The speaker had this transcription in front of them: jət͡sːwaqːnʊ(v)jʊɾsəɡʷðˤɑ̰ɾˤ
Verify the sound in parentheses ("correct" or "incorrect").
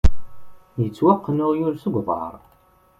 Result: incorrect